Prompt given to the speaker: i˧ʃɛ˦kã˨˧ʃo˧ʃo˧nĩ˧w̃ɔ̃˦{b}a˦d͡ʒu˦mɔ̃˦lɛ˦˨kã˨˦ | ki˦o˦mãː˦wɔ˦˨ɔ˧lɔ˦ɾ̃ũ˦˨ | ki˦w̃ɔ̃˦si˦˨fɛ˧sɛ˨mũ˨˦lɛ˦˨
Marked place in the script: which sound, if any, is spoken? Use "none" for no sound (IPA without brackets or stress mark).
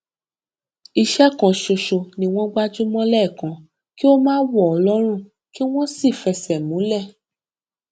ɡ͡b